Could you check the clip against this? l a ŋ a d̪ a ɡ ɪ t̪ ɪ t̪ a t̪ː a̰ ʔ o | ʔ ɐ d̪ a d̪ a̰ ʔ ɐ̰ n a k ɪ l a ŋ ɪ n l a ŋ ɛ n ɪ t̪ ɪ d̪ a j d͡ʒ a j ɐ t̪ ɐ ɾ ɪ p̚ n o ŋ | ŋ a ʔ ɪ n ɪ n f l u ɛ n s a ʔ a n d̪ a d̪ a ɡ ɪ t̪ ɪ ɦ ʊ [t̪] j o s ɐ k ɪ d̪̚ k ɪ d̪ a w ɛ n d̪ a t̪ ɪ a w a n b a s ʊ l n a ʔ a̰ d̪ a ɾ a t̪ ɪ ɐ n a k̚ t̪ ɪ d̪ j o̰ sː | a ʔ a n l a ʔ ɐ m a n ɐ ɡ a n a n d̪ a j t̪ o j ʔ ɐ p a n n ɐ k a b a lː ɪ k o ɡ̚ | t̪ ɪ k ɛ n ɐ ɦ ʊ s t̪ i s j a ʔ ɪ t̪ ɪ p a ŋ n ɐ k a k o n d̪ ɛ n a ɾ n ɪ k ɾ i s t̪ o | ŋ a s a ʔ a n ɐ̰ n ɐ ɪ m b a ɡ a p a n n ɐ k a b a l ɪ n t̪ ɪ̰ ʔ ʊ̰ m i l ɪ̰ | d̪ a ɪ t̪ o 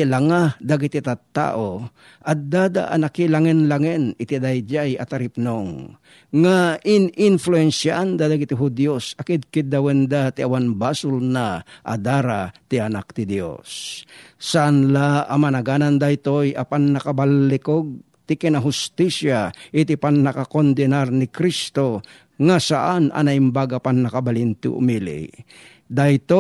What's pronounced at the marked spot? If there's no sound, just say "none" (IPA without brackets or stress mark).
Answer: d̪